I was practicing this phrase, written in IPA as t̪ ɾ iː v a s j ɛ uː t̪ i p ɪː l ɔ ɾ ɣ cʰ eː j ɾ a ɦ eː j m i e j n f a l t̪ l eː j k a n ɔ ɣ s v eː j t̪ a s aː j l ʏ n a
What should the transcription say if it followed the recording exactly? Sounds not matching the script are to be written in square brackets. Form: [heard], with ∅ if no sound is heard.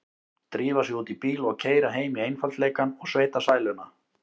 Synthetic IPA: t̪ ɾ iː v a s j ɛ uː t̪ i p [iː] l ɔ [∅] ɣ cʰ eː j ɾ a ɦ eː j m i e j n f a l t̪ l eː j k a n ɔ ɣ s v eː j t̪ a s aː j l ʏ n a